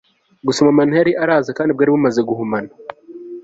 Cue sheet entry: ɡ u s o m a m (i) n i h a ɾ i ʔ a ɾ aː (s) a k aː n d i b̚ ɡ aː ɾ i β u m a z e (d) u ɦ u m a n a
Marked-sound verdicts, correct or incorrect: incorrect: a, incorrect: z, incorrect: ɡ

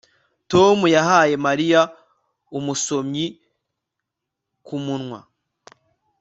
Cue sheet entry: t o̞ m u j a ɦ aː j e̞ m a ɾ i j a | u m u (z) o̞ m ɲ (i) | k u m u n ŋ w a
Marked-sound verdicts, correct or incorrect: incorrect: s, correct

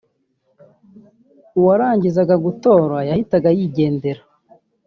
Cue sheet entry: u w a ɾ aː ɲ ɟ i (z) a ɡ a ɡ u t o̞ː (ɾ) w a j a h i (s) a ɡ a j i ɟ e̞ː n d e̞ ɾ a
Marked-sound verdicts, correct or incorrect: correct, correct, incorrect: t

